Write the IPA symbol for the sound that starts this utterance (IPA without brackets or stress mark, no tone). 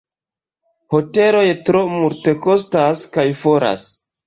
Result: h